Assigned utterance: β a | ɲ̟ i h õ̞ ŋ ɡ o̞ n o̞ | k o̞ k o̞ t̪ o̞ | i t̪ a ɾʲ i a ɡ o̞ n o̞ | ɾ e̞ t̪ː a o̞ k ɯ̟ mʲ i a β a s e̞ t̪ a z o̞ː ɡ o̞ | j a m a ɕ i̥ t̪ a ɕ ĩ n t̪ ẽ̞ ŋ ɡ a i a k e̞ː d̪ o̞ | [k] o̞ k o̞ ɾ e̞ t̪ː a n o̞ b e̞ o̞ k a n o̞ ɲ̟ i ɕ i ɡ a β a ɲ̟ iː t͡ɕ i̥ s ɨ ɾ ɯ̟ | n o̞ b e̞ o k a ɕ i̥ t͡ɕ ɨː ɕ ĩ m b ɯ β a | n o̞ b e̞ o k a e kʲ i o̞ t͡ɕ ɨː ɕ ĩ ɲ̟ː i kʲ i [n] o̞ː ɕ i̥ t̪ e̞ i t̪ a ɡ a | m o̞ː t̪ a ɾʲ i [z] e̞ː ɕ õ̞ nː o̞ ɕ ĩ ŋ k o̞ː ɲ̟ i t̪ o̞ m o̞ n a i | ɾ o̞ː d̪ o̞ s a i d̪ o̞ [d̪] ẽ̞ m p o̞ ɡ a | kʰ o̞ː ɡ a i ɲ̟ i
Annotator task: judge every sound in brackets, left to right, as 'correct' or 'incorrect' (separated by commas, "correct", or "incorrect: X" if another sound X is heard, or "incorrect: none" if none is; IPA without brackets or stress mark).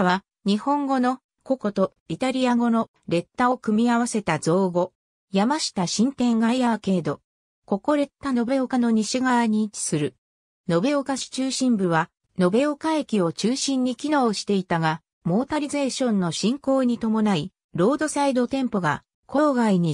correct, correct, correct, incorrect: t̪